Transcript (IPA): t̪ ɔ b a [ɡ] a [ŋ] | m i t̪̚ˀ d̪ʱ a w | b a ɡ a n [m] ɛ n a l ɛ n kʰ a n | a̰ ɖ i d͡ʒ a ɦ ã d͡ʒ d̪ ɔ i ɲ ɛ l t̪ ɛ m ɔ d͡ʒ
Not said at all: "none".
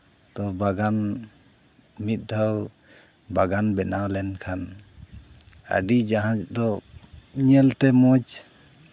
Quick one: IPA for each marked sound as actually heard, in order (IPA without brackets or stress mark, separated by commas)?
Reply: ɡ, n, b